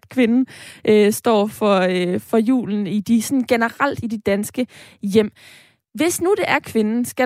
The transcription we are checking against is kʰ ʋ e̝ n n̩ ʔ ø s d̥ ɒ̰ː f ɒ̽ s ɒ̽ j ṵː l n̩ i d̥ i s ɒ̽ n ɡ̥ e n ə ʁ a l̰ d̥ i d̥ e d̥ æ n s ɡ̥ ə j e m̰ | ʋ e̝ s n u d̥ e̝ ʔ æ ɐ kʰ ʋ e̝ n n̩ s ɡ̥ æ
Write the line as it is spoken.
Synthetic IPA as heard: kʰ ʋ e̝ n n̩ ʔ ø s d̥ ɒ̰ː f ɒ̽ f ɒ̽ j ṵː l n̩ i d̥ i s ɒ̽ n ɡ̥ e n ə ʁ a l̰ d̥ i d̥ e d̥ æ n s ɡ̥ ə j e m̰ | ʋ e̝ s n u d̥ e̝ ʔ æ ɐ kʰ ʋ e̝ n n̩ s ɡ̥ æ